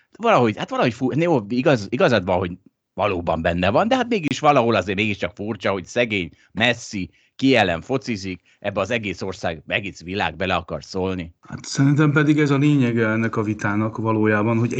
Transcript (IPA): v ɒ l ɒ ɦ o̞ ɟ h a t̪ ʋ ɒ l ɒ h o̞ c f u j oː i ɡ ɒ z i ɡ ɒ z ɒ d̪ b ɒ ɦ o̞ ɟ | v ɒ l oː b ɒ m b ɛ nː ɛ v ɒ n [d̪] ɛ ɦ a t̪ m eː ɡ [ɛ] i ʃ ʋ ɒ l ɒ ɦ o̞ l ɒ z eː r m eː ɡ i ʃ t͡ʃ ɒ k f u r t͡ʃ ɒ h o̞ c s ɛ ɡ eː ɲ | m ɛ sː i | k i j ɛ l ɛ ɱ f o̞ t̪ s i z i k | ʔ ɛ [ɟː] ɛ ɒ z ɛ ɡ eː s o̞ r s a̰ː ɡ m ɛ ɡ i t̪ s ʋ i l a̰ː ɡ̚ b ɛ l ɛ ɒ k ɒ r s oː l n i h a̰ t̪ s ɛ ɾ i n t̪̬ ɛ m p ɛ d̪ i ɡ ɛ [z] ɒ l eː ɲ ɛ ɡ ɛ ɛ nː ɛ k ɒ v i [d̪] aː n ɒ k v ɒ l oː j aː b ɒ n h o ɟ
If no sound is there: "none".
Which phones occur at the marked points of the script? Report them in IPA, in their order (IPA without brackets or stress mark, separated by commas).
d̪, i, bː, z, t̪